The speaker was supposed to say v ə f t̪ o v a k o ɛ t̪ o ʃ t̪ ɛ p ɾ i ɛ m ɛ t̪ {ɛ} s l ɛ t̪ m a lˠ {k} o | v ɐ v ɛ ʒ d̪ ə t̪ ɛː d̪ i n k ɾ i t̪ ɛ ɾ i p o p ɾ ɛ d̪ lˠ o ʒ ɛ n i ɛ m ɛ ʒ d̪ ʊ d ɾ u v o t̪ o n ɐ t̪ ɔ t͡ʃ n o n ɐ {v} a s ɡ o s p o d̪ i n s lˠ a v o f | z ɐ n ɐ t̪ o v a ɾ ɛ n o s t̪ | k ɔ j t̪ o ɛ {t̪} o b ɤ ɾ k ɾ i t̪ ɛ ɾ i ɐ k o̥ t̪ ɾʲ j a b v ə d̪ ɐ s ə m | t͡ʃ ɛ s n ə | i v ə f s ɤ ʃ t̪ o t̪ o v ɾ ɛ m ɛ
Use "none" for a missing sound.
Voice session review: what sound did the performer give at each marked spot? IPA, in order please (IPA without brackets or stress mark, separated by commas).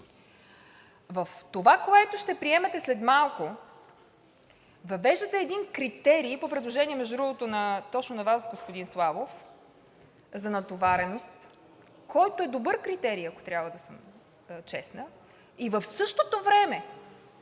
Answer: ɛ, k, v, d̪